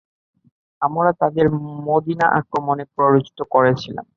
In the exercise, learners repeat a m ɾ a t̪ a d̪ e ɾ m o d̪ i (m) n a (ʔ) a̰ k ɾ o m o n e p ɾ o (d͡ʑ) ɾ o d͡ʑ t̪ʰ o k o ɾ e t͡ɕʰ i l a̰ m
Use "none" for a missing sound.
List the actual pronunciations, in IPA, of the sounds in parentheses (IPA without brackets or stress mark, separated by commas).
none, ʔ, none